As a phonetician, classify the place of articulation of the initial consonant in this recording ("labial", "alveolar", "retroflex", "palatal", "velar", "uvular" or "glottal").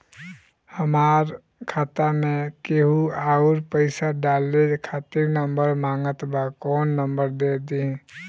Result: glottal